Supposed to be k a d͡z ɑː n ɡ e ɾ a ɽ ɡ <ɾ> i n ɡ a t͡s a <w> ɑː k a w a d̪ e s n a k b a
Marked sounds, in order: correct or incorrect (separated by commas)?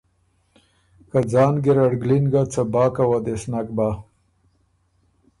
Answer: incorrect, incorrect